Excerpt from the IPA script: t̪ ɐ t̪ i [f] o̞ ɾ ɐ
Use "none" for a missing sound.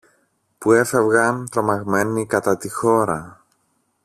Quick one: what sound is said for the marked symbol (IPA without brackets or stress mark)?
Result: x